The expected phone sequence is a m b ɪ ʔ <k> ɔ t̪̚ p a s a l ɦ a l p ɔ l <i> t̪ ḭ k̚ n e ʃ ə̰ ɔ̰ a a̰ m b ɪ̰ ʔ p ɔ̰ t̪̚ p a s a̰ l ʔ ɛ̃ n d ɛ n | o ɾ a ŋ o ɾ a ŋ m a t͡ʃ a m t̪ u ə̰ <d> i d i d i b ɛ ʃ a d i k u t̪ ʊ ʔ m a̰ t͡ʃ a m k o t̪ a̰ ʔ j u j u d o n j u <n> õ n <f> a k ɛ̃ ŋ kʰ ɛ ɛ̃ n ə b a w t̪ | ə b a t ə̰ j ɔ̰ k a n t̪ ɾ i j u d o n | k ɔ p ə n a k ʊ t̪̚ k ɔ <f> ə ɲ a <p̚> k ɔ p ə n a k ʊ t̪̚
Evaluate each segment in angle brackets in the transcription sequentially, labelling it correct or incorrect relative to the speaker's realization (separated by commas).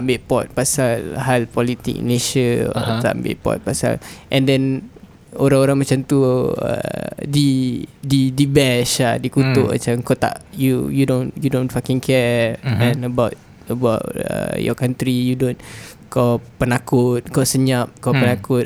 incorrect, correct, correct, incorrect, correct, incorrect, correct